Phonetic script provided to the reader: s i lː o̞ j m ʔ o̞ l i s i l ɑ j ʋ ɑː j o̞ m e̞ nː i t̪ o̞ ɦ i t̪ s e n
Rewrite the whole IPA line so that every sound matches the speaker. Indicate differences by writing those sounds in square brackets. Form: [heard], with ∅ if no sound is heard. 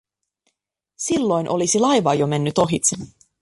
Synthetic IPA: s i lː o̞ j [n] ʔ o̞ l i s i l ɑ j ʋ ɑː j o̞ m e̞ nː [y] t̪ o̞ ɦ i t̪ s e n